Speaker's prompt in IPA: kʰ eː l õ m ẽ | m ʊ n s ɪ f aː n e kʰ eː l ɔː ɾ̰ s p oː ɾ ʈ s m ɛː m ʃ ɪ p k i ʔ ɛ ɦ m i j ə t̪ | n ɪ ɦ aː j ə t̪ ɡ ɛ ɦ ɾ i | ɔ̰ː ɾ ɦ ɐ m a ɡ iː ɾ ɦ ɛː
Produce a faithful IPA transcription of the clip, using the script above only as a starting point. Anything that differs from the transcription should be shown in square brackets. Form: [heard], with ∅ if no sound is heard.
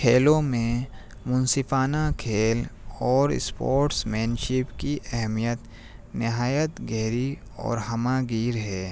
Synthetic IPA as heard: kʰ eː l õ m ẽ | m ʊ n s ɪ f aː n [a] kʰ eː l ɔː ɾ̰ s p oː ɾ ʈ s m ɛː [n] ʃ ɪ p k i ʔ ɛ ɦ m i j ə t̪ | n ɪ ɦ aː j ə t̪ ɡ ɛ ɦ ɾ i | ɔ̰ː ɾ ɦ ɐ m a ɡ iː ɾ ɦ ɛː